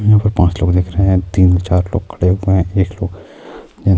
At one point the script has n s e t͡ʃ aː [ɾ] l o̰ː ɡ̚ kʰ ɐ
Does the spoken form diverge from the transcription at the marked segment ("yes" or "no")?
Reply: no